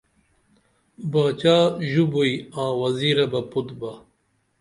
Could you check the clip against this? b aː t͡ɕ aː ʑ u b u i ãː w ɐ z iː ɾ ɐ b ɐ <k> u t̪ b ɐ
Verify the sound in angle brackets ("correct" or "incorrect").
incorrect